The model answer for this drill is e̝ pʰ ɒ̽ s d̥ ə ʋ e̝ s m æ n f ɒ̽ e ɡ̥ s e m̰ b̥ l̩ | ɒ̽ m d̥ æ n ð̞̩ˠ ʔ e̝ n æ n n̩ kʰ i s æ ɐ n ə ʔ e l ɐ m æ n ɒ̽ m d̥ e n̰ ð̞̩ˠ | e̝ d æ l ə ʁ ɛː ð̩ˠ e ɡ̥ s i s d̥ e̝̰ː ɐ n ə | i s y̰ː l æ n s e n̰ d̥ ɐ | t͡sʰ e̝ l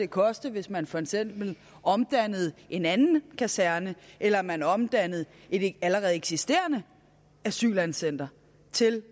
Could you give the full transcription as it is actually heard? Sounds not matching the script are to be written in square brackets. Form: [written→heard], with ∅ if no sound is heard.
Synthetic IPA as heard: e̝ [pʰ→kʰ] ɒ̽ s d̥ ə ʋ e̝ s m æ n f ɒ̽ e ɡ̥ s e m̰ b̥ l̩ | ɒ̽ m d̥ æ n ð̞̩ˠ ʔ e̝ n æ n n̩ kʰ [i→æ] s æ ɐ n ə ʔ e l ɐ m æ n ɒ̽ m d̥ [e→æ] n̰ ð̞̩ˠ | e̝ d æ l ə ʁ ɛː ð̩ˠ e ɡ̥ s i s d̥ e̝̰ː ɐ n ə | [i→æ] s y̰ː l æ n s e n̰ d̥ ɐ | t͡sʰ e̝ l